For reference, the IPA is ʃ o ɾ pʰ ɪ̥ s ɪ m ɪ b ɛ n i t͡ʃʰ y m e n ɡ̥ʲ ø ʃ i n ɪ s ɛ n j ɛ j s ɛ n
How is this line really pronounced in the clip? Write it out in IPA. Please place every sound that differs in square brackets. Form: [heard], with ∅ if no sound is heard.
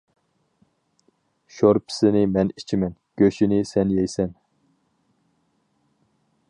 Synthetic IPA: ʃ o ɾ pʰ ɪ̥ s ɪ [n] ɪ [m] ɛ n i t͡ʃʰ [i] m [ɛ] n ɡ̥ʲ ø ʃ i n ɪ s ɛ n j ɛ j s ɛ n